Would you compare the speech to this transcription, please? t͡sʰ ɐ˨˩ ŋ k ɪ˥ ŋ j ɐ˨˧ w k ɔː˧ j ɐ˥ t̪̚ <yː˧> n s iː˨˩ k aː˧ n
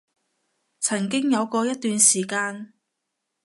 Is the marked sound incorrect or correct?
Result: correct